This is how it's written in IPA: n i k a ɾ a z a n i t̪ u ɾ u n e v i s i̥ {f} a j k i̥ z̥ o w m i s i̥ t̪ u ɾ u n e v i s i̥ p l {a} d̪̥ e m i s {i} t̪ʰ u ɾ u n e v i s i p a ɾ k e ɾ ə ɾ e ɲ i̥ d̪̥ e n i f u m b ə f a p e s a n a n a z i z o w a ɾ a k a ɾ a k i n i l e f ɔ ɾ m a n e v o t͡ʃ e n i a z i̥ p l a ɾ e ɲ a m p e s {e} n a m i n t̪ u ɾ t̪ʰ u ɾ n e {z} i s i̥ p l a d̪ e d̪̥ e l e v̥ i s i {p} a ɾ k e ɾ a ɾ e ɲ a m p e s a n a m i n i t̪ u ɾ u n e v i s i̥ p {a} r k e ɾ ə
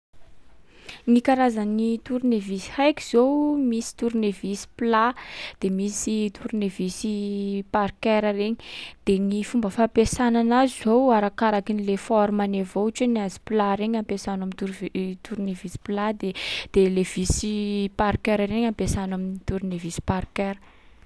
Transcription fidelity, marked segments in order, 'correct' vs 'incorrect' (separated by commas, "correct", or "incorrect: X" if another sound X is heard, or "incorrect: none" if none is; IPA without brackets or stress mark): incorrect: h, correct, correct, incorrect: a, incorrect: v, correct, correct